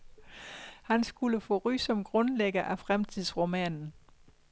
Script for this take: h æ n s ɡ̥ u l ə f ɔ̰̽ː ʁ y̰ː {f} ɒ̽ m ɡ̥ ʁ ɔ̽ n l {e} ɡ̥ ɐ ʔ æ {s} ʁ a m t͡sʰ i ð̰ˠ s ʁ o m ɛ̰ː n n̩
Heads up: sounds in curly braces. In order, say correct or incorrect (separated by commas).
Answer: incorrect, correct, incorrect